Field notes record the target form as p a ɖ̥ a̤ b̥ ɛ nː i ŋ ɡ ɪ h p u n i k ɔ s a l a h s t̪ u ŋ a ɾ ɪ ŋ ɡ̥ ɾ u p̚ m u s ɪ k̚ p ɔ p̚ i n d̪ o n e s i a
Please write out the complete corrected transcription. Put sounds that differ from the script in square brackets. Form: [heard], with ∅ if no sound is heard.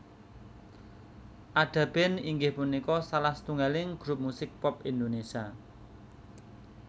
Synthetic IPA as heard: [ʔ] a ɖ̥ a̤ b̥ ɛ [n] i ŋ ɡ ɪ h p u n i k ɔ s a l a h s t̪ u ŋ a [l] ɪ ŋ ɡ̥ ɾ u p̚ m u s ɪ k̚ p ɔ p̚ i n d̪ o n e s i a